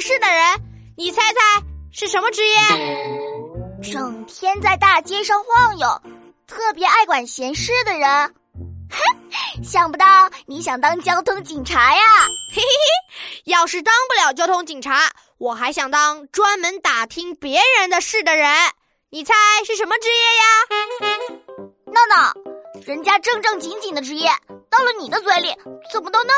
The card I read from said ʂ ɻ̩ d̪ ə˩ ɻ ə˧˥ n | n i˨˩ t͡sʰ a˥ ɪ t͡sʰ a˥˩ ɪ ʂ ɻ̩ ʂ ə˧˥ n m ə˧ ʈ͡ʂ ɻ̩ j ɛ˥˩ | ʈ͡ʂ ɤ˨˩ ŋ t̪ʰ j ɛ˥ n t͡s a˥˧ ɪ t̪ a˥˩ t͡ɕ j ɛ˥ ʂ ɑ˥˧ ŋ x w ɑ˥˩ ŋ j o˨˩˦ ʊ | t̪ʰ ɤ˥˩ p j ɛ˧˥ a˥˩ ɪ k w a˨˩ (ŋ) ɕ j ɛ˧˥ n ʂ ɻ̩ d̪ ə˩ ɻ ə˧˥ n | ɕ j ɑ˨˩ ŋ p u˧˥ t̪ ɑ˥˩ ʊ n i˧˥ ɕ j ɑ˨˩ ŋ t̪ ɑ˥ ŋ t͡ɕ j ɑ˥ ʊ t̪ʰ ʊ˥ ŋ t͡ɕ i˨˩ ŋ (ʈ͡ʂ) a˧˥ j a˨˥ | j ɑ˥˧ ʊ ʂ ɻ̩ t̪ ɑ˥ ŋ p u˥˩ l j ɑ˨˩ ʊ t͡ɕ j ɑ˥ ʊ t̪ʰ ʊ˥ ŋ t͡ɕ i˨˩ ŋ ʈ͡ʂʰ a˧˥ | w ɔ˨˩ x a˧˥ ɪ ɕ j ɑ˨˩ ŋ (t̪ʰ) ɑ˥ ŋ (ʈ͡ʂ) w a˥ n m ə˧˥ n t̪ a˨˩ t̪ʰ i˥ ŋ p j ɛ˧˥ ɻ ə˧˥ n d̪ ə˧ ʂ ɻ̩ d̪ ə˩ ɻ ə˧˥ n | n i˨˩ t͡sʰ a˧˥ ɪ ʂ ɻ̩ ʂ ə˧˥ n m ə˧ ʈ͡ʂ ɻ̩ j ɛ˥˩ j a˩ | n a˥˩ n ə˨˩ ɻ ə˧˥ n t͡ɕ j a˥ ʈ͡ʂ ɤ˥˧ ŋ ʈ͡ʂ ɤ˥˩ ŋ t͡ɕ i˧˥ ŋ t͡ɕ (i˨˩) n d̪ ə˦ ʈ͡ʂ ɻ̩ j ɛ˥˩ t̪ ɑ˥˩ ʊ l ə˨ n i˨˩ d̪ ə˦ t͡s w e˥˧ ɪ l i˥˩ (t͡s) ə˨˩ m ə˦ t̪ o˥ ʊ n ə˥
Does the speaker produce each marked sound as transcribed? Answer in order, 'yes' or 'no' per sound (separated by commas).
no, no, no, yes, yes, yes